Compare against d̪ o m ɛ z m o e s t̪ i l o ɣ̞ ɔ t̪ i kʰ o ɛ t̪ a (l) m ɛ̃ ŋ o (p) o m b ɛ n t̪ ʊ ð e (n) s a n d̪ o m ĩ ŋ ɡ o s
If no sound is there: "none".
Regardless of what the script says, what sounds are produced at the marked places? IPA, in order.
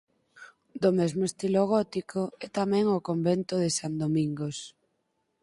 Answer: none, k, none

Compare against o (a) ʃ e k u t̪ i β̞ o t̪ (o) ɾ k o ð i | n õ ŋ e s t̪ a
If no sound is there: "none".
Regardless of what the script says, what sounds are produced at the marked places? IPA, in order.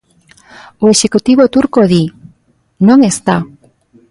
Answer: e, u

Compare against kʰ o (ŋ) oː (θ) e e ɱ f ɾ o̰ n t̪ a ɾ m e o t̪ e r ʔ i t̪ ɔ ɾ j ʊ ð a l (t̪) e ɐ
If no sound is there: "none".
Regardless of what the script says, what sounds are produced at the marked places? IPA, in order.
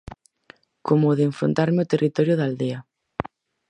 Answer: m, ð, d̪

